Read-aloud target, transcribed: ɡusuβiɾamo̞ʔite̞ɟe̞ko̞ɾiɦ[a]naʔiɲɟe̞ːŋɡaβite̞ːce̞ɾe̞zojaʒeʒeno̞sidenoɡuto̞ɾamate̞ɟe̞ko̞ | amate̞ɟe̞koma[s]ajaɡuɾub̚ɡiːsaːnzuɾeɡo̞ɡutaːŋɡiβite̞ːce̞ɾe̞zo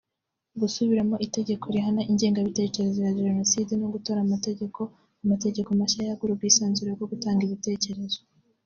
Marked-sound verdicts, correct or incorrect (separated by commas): correct, incorrect